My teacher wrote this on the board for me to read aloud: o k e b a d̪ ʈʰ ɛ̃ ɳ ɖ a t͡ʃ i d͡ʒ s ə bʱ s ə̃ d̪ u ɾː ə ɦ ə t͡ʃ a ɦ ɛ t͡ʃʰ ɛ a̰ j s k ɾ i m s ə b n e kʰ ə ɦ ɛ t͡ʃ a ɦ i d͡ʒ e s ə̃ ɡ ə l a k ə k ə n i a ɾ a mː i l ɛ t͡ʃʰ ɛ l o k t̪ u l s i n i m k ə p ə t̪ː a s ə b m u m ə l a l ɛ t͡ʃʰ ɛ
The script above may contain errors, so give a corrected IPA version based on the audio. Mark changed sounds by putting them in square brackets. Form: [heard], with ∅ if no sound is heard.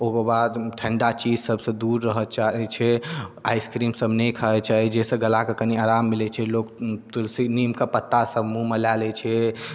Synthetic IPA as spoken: o k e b a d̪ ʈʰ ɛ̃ ɳ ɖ a t͡ʃ i d͡ʒ s ə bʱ s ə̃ d̪ u ɾː ə ɦ ə t͡ʃ a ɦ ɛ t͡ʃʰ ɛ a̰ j s k ɾ i m s ə b n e kʰ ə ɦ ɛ t͡ʃ a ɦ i d͡ʒ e s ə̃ ɡ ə l a k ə k ə n i a ɾ a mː i l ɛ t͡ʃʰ ɛ l o k t̪ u l s i n i m k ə p ə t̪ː a s ə b m u m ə l a l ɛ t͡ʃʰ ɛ